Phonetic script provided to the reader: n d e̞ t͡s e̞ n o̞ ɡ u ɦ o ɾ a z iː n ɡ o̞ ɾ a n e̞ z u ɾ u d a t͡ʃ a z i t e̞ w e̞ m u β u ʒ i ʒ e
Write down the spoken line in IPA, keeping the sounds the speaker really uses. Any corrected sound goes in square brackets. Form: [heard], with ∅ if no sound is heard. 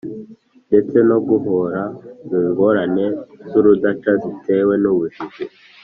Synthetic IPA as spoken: n d e̞ t͡s e̞ n o̞ ɡ u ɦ o ɾ a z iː [ŋ] ɡ o̞ ɾ a n e̞ z u ɾ u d a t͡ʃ a z i t e̞ w e̞ [n] u β u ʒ i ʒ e